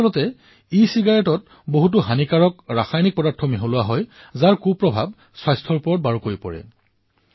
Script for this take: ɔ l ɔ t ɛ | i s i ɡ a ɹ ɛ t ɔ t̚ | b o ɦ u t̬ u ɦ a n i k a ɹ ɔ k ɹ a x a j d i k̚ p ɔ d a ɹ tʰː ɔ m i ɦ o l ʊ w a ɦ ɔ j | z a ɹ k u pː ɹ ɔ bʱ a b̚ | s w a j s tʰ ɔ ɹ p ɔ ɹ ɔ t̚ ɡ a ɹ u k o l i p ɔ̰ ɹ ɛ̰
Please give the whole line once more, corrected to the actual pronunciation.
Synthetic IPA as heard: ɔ l ɔ t ɛ | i s i ɡ a ɹ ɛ t ɔ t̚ | b o ɦ u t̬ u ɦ a n i k a ɹ ɔ k ɹ a x a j n i k̚ p ɔ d a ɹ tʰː ɔ m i ɦ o l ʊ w a ɦ ɔ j | z a ɹ k u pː ɹ ɔ bʱ a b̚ | s w a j s tʰ ɔ ɹ p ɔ ɹ ɔ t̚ b a ɹ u k o ɹ i p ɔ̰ ɹ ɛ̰